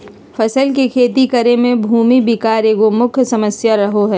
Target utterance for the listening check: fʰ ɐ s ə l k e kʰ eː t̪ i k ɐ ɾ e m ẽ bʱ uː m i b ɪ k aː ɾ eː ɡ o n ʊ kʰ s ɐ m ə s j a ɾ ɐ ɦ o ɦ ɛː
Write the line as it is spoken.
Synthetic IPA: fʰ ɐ s ə l k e kʰ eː t̪ i k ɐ ɾ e m ẽ bʱ uː m i b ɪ k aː ɾ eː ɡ o m ʊ kʰ s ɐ m ə s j a ɾ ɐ ɦ o ɦ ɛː